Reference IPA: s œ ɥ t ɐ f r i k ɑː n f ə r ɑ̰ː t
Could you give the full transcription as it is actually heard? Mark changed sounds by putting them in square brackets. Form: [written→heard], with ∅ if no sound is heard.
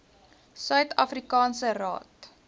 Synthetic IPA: s œ ɥ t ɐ f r i k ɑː n [f→s] ə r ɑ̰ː t